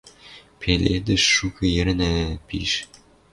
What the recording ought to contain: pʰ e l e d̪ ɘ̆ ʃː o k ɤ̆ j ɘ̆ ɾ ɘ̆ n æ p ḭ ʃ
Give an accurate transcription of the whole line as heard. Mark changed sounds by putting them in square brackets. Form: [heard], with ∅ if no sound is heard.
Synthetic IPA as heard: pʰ e l e d̪ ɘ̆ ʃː [u] k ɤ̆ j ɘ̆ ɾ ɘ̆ n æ p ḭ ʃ